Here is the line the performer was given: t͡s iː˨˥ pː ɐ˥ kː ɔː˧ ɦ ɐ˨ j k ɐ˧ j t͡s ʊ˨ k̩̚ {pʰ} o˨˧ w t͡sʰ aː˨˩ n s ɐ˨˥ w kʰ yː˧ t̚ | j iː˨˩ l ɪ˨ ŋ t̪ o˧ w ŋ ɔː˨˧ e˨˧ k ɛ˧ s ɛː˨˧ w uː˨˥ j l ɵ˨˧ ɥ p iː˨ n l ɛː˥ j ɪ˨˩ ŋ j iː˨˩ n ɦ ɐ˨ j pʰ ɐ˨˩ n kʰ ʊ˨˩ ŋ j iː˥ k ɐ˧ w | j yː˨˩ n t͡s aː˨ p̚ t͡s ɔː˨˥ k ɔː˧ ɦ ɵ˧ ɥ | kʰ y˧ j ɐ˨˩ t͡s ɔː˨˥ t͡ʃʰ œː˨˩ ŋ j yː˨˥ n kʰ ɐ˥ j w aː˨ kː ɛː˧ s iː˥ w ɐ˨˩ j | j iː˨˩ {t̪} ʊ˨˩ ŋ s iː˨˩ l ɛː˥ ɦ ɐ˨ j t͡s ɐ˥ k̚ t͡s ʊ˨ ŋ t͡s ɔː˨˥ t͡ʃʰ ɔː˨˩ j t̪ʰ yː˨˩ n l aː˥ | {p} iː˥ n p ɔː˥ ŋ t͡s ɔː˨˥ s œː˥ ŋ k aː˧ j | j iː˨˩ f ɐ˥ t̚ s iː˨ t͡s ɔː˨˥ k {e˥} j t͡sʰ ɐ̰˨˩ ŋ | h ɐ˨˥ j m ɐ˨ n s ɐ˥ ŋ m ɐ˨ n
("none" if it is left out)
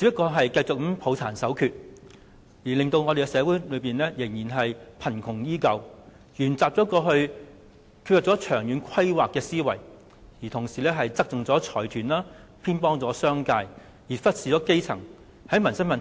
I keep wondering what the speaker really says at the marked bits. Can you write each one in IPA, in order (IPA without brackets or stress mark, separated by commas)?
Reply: pʰ, t̪ʰ, pʰ, e˥